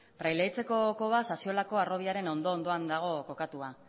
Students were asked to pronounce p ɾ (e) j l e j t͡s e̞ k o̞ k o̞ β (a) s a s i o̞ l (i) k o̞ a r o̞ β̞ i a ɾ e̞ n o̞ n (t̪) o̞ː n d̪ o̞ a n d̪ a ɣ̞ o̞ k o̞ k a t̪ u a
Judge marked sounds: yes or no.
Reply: no, yes, no, no

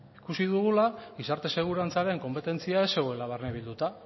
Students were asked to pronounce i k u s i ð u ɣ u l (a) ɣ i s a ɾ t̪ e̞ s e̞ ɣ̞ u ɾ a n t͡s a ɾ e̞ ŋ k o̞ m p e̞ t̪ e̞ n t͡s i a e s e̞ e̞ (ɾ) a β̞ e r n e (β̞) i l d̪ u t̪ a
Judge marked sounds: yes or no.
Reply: yes, no, yes

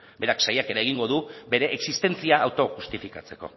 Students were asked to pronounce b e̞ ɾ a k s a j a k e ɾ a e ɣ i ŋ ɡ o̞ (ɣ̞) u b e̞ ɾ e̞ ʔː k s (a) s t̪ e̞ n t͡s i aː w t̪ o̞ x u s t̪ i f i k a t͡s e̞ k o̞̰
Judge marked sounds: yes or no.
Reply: no, no

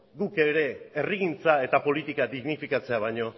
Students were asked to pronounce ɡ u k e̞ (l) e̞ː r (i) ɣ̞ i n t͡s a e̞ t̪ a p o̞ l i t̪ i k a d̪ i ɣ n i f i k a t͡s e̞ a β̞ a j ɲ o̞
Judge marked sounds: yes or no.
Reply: no, yes

